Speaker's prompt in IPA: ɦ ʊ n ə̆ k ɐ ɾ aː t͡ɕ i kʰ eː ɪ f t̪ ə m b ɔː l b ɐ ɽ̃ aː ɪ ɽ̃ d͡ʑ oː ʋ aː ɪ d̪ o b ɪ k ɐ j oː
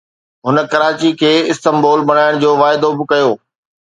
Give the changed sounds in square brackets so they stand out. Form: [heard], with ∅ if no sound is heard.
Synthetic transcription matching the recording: ɦ ʊ n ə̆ k ɐ ɾ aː t͡ɕ i kʰ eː ɪ [s] t̪ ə m b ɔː l b ɐ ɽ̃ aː ɪ ɽ̃ d͡ʑ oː ʋ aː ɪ d̪ o b ɪ k ɐ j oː